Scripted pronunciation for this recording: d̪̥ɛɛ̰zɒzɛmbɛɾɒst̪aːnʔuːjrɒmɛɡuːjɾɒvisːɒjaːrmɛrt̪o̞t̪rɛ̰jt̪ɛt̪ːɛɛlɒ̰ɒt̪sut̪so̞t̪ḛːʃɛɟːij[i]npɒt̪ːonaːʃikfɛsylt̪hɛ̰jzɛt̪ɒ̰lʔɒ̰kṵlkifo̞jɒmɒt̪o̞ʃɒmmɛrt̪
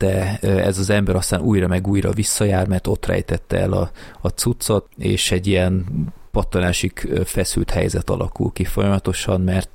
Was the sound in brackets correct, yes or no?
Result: no